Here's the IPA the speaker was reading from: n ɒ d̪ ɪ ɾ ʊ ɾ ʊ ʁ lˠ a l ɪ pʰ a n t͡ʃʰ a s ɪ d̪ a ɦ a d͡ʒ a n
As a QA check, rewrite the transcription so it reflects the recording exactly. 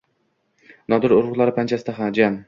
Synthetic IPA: n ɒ d̪ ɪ ɾ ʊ ɾ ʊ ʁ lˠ a ɾ ɪ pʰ a n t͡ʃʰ a s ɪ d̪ a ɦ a d͡ʒ a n